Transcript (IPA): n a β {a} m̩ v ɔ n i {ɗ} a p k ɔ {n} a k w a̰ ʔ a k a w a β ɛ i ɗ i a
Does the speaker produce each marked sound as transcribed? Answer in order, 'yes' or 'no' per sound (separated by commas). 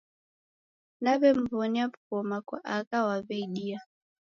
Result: no, no, no